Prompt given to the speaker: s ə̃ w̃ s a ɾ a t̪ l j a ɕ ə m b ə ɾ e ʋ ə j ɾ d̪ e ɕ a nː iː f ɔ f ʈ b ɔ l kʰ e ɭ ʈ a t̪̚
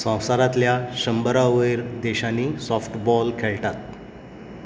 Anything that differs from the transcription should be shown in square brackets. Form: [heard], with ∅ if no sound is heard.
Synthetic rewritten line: s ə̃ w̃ s a ɾ a t̪ l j a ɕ ə m b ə ɾ [a] ʋ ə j ɾ d̪ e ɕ a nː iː [s] ɔ f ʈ b ɔ l kʰ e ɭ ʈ a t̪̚